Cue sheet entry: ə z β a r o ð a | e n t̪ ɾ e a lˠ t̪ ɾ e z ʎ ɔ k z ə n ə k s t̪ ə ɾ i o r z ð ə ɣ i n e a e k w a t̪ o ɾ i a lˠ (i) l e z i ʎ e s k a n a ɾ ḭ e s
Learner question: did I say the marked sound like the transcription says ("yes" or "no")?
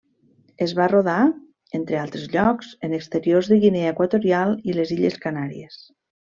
yes